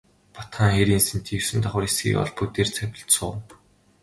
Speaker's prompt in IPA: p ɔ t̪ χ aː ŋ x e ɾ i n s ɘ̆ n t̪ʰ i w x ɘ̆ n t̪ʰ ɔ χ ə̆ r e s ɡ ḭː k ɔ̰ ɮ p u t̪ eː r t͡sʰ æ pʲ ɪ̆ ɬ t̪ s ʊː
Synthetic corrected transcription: p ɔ t̪ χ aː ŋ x e ɾ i n s ɘ̆ n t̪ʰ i w s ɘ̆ n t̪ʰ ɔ χ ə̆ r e s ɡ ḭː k ɔ̰ ɮ p u t̪ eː r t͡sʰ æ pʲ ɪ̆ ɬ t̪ s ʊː